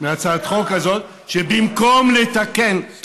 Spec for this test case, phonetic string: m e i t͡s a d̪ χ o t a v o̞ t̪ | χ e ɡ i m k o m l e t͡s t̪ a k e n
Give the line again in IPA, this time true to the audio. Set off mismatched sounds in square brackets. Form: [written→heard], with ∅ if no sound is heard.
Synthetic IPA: m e [i→a] t͡s a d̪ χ o [t→k] a [v→z] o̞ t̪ | [χ→ʃ] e [ɡ→b] i m k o m l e [t͡s→∅] t̪ a k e n